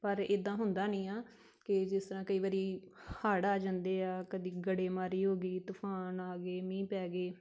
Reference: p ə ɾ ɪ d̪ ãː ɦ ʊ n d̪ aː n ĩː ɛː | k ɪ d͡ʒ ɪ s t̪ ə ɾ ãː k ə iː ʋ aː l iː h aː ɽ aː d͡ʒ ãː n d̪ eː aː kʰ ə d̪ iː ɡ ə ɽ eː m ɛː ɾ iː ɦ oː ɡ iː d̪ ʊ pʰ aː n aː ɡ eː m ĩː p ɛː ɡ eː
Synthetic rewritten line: p ə ɾ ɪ d̪ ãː ɦ ʊ n d̪ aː n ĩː aː | k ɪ d͡ʒ ɪ s t̪ ə ɾ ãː k ə iː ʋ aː ɾ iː h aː ɽ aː d͡ʒ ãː n d̪ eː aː k ə d̪ iː ɡ ə ɽ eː m aː ɾ iː ɦ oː ɡ iː t̪ ʊ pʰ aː n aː ɡ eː m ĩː p ɛː ɡ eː